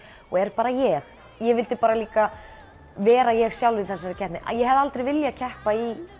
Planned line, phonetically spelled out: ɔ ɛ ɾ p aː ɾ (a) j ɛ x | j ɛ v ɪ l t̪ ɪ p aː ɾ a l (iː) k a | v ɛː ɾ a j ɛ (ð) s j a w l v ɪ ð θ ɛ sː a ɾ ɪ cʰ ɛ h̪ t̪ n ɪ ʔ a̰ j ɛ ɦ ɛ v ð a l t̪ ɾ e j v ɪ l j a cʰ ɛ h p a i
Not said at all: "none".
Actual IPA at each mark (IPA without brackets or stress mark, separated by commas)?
a, iː, ɣ